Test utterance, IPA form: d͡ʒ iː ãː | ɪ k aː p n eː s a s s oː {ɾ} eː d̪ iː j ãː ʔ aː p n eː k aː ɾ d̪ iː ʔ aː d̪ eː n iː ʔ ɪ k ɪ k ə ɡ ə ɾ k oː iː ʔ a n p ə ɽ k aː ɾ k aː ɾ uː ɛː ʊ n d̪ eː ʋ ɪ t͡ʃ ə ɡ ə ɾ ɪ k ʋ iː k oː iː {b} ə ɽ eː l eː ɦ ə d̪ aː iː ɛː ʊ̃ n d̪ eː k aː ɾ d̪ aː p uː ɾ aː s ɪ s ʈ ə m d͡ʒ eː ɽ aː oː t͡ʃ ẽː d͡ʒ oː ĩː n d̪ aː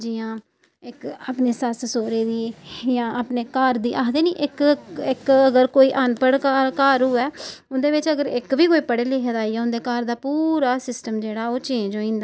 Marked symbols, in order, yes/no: yes, no

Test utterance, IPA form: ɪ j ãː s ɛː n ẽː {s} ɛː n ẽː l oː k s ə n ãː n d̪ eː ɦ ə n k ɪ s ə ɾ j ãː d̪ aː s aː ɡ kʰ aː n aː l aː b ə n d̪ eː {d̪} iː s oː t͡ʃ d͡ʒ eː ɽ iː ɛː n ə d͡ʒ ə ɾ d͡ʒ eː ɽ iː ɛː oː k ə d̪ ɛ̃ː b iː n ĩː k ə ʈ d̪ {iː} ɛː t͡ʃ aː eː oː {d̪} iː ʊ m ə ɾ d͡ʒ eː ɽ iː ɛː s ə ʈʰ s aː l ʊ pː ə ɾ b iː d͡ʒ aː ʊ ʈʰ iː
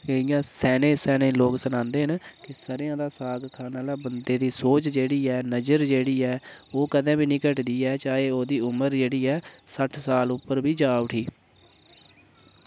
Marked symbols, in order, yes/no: yes, yes, yes, yes

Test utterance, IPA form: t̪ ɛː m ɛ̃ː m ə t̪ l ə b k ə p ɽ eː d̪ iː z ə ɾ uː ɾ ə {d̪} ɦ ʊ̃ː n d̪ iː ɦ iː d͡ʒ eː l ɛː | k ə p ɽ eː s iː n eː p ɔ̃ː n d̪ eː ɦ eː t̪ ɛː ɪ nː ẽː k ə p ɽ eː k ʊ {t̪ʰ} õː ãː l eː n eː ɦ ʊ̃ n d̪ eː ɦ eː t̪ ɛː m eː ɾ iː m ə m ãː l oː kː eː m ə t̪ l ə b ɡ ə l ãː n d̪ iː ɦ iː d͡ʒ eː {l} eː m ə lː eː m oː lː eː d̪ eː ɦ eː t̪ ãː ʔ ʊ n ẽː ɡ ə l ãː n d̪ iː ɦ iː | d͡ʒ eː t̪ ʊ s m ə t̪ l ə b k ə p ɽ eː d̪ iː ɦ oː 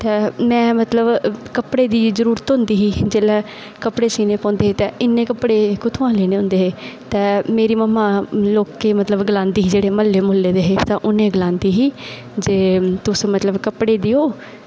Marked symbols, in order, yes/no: no, yes, no

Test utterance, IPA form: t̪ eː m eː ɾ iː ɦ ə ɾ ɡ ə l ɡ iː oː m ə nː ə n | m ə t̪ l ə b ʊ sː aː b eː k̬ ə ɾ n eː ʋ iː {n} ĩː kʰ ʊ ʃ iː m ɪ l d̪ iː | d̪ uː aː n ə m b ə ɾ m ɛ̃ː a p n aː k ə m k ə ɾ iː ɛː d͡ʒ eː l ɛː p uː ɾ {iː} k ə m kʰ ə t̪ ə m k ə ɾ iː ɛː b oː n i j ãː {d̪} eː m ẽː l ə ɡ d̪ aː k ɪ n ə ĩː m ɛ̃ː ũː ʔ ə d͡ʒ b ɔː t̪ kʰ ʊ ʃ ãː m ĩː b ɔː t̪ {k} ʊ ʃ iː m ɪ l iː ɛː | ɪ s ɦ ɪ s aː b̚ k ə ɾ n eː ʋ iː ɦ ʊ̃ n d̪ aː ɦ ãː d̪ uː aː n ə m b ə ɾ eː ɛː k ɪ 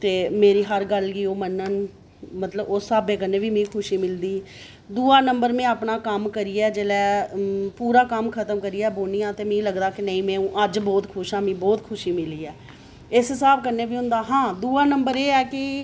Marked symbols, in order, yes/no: no, no, no, no

